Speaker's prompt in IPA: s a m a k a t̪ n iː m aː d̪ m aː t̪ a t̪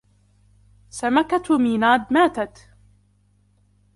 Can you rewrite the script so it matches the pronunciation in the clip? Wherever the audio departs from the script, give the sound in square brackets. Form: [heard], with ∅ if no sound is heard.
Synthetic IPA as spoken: s a m a k a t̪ [m] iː [n] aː d̪ m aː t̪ a t̪